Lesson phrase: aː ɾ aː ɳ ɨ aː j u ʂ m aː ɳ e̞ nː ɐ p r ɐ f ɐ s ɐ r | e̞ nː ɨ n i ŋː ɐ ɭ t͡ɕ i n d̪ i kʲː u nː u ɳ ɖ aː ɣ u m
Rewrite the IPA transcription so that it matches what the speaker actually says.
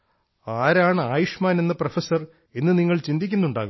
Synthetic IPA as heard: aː ɾ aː ɳ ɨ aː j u ʂ m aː n e̞ nː ɐ p r ɐ f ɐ s ɐ r | e̞ nː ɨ n i ŋː ɐ ɭ t͡ɕ i n d̪ i kʲː u nː u ɳ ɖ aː ɣ u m